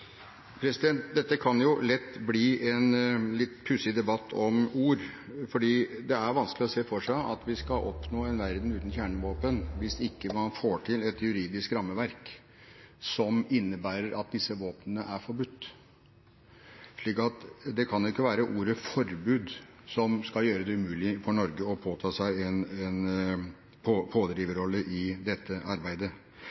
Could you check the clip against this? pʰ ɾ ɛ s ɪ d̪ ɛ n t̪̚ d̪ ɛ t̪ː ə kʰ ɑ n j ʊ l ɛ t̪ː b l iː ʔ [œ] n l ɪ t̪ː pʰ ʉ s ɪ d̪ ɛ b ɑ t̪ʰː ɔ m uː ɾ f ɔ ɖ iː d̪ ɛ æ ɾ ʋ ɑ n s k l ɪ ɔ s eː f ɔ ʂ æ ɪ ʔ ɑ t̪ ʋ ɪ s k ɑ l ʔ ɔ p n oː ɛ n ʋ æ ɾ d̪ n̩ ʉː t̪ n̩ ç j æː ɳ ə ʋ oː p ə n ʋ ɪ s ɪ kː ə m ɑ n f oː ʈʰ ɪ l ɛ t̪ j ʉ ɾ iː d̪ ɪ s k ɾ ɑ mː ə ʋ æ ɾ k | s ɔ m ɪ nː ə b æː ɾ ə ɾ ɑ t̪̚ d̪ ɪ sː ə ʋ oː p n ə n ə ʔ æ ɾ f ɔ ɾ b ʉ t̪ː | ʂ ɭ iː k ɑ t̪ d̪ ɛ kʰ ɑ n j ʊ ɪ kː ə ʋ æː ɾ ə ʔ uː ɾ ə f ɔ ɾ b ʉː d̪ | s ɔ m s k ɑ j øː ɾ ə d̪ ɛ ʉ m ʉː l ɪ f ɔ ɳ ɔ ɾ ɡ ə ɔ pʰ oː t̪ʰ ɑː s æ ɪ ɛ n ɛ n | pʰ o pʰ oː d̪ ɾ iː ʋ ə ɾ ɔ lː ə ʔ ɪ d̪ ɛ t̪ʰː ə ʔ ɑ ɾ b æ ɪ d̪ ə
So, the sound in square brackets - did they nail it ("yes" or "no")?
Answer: no